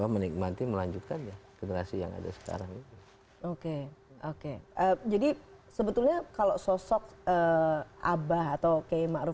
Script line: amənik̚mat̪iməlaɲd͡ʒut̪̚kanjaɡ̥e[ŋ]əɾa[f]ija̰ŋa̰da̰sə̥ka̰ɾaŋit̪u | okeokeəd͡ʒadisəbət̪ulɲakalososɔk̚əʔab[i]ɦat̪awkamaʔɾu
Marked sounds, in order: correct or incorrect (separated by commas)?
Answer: incorrect, incorrect, incorrect